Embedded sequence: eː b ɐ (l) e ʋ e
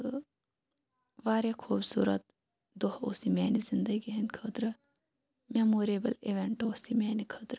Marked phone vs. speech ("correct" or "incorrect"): correct